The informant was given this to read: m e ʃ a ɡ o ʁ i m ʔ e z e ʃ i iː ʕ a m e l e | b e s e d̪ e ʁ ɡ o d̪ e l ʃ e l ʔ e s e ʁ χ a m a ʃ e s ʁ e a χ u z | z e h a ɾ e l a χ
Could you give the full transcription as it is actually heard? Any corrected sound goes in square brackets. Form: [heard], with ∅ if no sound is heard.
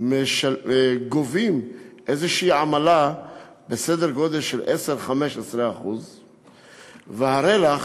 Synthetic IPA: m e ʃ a ɡ o [v] i m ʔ e z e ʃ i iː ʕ a m [a] l [a] | b e s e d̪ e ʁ ɡ o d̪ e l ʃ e l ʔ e s e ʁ χ a m [e] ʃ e s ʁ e a χ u z | [v] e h a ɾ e l a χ